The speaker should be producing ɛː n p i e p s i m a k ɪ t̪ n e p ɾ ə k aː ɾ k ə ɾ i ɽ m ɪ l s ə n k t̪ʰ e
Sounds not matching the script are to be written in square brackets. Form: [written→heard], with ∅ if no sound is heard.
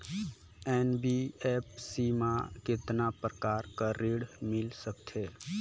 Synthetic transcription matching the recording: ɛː n [p→b] i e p s i m a k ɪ t̪ n [e→a] p ɾ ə k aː ɾ k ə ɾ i ɽ m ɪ l s ə [n→∅] k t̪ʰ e